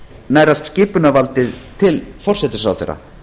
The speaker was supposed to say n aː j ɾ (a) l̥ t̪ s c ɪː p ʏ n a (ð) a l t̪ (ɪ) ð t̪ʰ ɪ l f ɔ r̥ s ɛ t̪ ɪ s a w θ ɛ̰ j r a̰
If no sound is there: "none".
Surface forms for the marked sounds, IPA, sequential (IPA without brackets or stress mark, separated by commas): a, v, ɪ